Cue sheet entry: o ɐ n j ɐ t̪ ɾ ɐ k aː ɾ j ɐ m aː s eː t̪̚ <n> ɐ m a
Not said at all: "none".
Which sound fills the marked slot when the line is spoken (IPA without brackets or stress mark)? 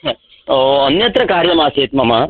m